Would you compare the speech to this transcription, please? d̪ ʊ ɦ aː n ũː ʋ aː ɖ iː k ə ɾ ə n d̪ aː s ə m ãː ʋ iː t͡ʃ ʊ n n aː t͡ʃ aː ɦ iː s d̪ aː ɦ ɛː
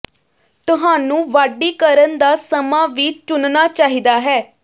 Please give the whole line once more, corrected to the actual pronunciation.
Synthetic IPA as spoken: t̪ ʊ ɦ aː n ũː ʋ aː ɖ iː k ə ɾ ə n d̪ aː s ə m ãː ʋ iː t͡ʃ ʊ n n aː t͡ʃ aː ɦ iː d̪ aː ɦ ɛː